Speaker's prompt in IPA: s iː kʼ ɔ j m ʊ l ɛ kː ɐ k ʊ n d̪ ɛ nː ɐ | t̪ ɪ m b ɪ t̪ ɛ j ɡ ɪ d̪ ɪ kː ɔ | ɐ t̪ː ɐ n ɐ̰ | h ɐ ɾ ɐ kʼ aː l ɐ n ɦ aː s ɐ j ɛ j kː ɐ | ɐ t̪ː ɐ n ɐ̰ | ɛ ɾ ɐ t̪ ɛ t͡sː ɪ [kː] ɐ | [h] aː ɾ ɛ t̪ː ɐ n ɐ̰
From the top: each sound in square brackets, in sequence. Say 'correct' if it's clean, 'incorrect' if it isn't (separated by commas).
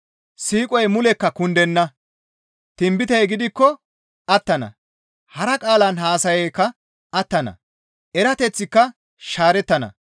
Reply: correct, incorrect